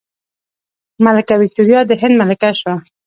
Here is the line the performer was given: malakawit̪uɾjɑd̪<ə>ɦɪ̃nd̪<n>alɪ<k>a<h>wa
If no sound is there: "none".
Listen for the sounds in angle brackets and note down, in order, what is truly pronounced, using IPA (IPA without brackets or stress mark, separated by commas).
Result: ə, m, k, ʃ